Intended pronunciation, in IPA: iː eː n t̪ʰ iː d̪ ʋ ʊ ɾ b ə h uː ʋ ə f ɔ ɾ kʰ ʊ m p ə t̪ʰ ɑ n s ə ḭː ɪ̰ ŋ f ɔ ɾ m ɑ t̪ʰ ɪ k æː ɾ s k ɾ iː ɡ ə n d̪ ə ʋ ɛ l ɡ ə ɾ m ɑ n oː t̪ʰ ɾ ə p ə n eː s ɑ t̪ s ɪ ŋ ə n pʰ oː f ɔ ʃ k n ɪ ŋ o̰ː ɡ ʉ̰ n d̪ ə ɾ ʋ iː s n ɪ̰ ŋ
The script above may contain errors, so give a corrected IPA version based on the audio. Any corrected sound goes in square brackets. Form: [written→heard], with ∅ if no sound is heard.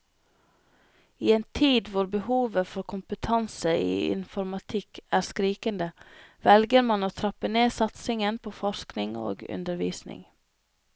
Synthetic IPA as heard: iː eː n t̪ʰ iː d̪ ʋ ʊ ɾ b ə h uː ʋ ə f ɔ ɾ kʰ ʊ m p ə t̪ʰ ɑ n s ə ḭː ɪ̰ [ŋ→n] f ɔ ɾ m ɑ t̪ʰ ɪ k æː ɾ s k ɾ iː [ɡ→k] ə n d̪ ə ʋ ɛ l ɡ ə ɾ m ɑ n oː t̪ʰ ɾ [ə→ɑ] p ə n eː s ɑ t̪ s ɪ ŋ ə n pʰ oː f ɔ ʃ k n ɪ ŋ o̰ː ɡ ʉ̰ n d̪ ə ɾ ʋ iː s n ɪ̰ ŋ